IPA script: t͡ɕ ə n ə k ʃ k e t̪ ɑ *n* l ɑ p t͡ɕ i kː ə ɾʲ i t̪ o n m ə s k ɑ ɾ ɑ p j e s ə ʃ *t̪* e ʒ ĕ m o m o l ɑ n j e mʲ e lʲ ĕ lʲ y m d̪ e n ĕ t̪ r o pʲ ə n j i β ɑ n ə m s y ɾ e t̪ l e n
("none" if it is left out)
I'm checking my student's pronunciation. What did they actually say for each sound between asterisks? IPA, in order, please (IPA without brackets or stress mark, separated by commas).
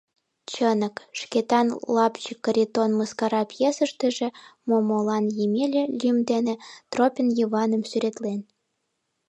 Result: n, t̪